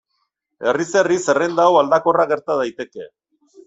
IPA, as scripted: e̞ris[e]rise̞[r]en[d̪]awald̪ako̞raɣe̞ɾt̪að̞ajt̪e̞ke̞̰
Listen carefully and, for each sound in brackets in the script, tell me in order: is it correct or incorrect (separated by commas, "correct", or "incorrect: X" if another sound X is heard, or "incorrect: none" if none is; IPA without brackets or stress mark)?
correct, correct, correct